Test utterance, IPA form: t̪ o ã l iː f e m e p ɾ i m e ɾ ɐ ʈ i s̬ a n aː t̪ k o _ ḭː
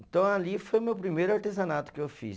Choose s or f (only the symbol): f